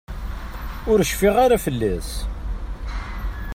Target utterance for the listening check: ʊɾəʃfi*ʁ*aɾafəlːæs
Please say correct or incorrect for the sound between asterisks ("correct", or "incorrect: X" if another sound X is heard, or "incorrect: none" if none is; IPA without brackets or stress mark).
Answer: correct